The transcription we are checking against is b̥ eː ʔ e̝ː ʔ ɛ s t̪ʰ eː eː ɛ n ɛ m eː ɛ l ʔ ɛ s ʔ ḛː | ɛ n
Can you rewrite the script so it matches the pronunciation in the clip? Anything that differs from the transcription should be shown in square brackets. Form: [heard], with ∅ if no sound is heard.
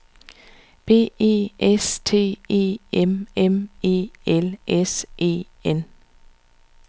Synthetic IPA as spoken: b̥ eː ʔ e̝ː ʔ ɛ s t̪ʰ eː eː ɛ [m] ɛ m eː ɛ l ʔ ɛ s ʔ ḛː | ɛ n